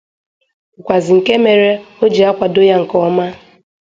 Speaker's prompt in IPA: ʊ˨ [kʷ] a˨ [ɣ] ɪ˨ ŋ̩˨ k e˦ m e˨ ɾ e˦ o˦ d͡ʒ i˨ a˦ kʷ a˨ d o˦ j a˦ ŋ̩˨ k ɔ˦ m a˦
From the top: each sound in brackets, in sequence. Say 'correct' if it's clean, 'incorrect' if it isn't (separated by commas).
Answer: correct, incorrect